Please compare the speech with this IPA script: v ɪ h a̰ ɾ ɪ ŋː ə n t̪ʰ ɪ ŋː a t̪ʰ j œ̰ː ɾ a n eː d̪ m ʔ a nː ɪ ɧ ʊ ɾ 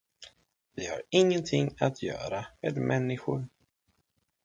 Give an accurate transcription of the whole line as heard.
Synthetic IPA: v ɪ h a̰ ɾ ɪ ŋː ə n t̪ʰ ɪ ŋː a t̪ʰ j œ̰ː ɾ a m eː d̪ m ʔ ɛ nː ɪ ɧ ʊ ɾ